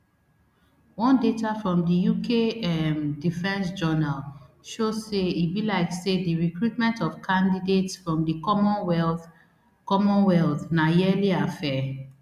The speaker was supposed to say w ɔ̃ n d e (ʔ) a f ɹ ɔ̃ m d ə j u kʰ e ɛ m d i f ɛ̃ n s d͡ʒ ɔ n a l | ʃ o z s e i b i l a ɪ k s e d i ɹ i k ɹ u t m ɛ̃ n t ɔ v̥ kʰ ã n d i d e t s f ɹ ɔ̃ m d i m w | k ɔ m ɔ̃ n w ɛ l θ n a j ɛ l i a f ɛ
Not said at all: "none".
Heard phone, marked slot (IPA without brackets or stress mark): t